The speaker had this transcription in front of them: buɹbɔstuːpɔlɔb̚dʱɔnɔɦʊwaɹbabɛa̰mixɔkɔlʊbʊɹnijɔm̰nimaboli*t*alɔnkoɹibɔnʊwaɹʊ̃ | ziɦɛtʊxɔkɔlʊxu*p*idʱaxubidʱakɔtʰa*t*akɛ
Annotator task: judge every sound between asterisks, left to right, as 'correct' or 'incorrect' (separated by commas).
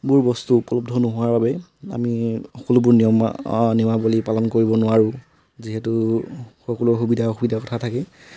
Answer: incorrect, incorrect, incorrect